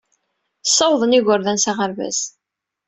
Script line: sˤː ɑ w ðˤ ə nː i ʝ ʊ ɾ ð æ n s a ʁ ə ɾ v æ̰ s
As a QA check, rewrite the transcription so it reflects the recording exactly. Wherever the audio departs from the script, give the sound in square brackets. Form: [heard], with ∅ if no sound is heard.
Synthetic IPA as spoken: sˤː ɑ w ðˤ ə [n] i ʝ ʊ ɾ ð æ n s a ʁ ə ɾ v æ̰ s